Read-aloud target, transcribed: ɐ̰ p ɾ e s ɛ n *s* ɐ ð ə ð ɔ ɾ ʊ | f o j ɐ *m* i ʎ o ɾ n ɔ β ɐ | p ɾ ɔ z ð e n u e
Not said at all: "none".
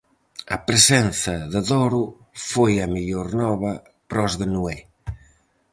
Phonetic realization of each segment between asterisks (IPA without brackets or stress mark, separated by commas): θ, m